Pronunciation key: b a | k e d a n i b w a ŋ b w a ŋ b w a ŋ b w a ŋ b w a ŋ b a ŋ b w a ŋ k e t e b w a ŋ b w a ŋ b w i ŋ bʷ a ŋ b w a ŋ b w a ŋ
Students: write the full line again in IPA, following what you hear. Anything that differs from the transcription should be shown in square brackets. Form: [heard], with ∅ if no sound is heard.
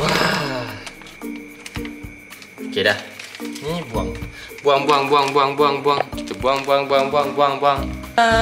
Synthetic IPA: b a | k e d a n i b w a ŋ b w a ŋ b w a ŋ b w a ŋ b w a ŋ b a ŋ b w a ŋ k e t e b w a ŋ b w a ŋ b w [a] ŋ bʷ a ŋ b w a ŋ b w a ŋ

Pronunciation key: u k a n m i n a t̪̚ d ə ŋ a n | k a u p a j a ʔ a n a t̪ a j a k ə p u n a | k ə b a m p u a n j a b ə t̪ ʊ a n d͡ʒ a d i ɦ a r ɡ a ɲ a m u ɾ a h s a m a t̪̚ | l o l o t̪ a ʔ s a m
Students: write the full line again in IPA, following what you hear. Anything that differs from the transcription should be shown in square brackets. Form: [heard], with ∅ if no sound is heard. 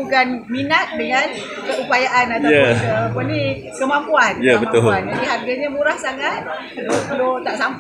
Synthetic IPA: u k a n m i n a t̪̚ d ə ŋ a n | k [ə] u p a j a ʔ a n a t̪ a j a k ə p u n [i] | k ə [m] a m p u a n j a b ə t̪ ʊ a n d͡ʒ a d i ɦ a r ɡ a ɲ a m u ɾ a h s a [ŋ] a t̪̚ | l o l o t̪ a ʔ s a m

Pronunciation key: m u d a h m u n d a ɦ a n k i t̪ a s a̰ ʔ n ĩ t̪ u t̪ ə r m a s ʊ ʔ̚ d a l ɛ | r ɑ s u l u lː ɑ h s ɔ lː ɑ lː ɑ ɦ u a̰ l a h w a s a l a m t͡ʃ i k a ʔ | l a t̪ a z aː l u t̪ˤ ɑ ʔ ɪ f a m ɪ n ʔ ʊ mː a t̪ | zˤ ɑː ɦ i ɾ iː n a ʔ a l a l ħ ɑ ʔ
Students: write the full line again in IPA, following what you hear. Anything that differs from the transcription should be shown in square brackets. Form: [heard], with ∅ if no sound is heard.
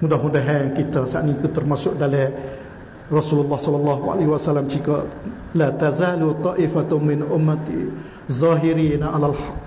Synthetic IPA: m u d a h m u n d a ɦ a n k i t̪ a s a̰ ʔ n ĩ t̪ u t̪ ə r m a s ʊ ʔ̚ d a l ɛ | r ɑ s u l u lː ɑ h s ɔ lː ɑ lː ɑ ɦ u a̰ l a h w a s a l a m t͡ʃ i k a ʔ | l a t̪ a z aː l u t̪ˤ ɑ ʔ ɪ f a m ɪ n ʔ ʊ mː a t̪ | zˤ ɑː ɦ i ɾ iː n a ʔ a l a l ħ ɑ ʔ

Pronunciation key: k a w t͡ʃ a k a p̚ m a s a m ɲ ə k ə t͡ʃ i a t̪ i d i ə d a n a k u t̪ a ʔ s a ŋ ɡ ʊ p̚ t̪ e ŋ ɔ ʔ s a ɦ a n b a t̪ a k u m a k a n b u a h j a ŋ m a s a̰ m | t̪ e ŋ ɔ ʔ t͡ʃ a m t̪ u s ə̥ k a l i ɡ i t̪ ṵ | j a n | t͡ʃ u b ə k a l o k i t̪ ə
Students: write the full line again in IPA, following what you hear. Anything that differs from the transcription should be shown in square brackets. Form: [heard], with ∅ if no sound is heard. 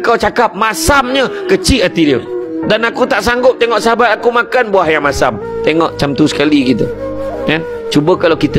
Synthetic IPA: k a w t͡ʃ a k a p̚ m a s a m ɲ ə k ə t͡ʃ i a t̪ i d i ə d a n a k u t̪ a ʔ s a ŋ ɡ ʊ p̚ t̪ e ŋ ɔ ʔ s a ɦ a [∅] b a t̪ a k u m a k a n b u a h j a ŋ m a s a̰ m | t̪ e ŋ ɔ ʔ t͡ʃ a m t̪ u s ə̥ k a l i ɡ i t̪ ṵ | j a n | t͡ʃ u b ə k a l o k i t̪ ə

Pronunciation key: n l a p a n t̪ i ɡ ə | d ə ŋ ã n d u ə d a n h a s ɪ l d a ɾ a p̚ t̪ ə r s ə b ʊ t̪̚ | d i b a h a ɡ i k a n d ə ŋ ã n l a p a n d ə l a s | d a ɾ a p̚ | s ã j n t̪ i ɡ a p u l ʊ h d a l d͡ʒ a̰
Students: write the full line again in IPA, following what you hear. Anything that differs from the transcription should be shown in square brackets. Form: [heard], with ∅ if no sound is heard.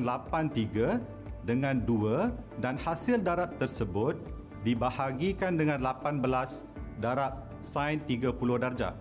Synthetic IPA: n l a p a n t̪ i ɡ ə | d ə ŋ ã n d u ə d a n h a s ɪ l d a ɾ a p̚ t̪ ə r s ə b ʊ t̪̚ | d i b a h a ɡ i k a n d ə ŋ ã n l a p a n [b] ə l a s | d a ɾ a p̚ | s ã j n t̪ i ɡ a p u l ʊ h d a [r] d͡ʒ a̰

